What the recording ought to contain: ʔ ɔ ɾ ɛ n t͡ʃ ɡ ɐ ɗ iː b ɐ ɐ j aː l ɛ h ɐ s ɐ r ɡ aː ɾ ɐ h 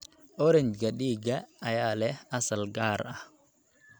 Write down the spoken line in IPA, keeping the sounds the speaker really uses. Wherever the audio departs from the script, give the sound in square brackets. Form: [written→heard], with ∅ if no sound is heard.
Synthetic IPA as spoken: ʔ ɔ ɾ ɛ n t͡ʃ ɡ ɐ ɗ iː [b→ɡ] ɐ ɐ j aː l ɛ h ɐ s ɐ [r→l] ɡ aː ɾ ɐ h

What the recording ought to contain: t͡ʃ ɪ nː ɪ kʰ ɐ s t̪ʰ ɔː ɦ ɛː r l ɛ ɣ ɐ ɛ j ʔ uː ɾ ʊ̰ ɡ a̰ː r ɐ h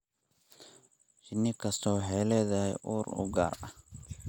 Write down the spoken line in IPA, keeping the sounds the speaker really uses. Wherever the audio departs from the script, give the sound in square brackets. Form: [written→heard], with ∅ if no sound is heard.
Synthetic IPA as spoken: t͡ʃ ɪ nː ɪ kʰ ɐ s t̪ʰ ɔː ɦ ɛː [r→∅] l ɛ [ɣ→ð] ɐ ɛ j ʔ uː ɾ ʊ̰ ɡ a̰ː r ɐ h

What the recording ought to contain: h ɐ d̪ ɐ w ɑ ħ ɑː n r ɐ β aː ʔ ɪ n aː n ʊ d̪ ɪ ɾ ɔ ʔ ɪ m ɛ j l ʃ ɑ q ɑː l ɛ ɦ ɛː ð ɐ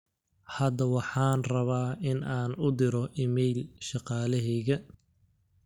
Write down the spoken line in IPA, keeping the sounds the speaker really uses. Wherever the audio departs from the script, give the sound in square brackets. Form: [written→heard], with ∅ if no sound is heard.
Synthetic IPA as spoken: h ɐ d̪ ɐ w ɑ ħ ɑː n r ɐ β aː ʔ ɪ n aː n ʊ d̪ ɪ ɾ ɔ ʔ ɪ m ɛ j l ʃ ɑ q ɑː l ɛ ɦ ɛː [ð→ɣ] ɐ

